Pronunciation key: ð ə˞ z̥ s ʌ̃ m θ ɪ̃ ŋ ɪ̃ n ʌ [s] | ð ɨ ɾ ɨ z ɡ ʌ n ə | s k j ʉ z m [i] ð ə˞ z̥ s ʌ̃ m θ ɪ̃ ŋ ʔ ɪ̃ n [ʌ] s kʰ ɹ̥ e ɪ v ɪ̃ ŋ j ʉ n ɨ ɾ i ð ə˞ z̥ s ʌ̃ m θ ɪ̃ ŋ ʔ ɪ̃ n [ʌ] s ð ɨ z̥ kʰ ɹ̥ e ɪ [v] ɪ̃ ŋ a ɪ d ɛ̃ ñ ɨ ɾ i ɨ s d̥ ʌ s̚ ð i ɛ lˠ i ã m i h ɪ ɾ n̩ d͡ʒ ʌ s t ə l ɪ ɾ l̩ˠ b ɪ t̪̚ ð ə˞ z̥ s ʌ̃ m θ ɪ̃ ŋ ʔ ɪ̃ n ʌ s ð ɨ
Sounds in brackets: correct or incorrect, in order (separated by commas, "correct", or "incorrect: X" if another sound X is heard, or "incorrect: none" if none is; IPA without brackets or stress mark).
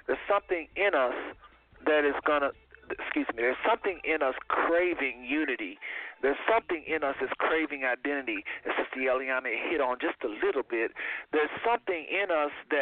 correct, correct, correct, correct, correct